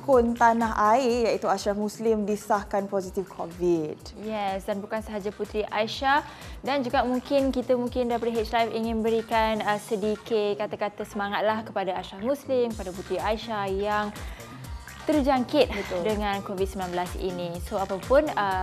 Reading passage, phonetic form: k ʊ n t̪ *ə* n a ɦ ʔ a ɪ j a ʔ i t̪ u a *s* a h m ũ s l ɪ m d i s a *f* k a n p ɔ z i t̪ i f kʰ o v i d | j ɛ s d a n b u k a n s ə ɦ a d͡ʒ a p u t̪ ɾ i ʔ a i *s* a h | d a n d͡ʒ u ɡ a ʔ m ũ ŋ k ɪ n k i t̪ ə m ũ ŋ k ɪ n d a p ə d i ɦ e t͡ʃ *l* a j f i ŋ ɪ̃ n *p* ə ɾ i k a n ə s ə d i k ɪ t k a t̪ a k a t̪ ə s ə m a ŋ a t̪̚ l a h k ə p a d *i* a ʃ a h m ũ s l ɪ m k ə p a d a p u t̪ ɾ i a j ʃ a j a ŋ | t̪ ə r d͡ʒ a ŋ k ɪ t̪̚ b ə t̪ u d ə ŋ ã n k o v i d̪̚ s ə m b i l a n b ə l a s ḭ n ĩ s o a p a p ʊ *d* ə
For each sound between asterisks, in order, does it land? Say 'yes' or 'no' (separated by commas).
no, no, no, no, yes, no, no, no